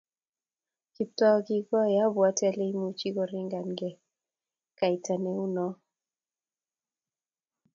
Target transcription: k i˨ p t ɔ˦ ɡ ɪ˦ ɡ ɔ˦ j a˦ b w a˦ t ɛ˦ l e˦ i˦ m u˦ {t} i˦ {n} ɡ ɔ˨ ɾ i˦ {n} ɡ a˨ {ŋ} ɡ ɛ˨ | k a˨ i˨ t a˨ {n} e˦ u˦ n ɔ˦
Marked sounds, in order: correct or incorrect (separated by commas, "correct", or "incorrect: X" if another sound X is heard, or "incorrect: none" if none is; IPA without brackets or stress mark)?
incorrect: t͡ʃ, incorrect: none, incorrect: ŋ, incorrect: n, correct